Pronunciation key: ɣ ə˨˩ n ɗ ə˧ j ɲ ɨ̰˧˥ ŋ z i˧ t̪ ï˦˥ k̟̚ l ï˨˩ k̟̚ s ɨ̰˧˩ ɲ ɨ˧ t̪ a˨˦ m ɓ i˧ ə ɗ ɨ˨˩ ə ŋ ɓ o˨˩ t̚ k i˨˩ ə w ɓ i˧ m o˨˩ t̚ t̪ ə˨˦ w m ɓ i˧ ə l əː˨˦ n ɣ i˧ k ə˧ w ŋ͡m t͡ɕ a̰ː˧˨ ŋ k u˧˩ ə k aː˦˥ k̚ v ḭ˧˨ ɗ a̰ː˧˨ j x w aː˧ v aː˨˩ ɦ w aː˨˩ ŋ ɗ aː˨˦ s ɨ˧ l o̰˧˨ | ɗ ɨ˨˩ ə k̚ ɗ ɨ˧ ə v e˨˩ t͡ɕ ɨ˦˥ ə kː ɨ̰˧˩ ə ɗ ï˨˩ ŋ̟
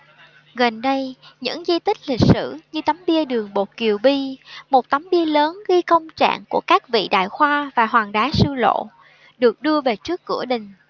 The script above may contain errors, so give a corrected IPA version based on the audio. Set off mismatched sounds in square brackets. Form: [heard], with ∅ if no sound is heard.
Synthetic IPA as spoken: ɣ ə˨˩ n ɗ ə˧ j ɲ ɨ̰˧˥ ŋ z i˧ t̪ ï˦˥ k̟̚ l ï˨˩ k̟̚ s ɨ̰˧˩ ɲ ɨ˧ t̪ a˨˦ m ɓ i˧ ə ɗ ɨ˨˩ ə ŋ ɓ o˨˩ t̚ k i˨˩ ə w ɓ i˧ m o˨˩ t̚ t̪ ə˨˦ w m ɓ i˧ ə l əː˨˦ n ɣ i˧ k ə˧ w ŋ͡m t͡ɕ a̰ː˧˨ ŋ k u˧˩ ə k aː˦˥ k̚ v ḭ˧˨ ɗ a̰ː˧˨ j x w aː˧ v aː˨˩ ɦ w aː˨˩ ŋ ɗ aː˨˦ s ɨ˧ l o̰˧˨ | ɗ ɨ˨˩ ə k̚ ɗ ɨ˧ ə v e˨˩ t͡ɕ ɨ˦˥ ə kː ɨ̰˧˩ ə ɗ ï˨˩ ŋ̟